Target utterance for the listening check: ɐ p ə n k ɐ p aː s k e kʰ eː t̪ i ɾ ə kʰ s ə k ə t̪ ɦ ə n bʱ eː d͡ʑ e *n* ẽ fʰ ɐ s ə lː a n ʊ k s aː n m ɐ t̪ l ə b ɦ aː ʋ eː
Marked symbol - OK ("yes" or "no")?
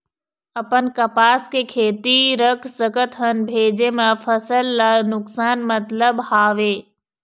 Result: no